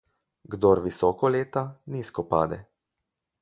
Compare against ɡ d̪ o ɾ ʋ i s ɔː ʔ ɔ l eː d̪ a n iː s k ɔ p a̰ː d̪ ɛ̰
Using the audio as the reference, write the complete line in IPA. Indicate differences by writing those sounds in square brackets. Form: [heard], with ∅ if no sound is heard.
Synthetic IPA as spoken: ɡ d̪ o ɾ ʋ i s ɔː [k] ɔ l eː [t̪] a n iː s k ɔ p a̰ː d̪ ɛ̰